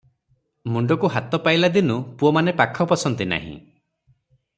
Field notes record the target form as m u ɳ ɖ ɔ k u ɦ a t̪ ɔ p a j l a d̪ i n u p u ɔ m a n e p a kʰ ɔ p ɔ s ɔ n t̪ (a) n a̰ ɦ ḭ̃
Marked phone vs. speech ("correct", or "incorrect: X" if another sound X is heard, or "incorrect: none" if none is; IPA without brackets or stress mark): incorrect: i